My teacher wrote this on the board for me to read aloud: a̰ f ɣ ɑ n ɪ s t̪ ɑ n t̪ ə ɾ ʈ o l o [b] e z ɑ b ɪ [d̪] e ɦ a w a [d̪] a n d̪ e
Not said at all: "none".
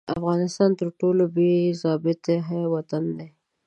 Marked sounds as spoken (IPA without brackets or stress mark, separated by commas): b, t̪, t̪